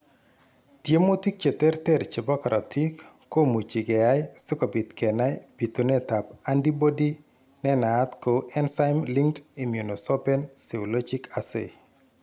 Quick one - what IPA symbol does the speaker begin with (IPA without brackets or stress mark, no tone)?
t